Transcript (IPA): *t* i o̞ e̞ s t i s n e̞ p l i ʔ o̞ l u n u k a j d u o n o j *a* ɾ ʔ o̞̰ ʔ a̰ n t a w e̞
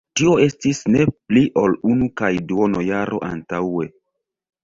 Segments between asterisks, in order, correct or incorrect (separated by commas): correct, correct